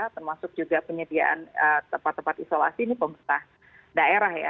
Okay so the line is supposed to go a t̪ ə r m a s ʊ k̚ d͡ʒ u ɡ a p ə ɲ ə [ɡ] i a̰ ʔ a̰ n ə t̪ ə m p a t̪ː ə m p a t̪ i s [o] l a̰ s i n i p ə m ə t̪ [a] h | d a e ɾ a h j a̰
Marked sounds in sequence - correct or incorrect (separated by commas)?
incorrect, correct, correct